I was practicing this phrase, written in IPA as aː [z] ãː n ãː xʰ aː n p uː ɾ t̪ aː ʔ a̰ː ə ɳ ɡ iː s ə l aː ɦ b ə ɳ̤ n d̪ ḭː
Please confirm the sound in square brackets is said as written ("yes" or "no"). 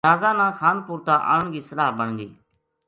yes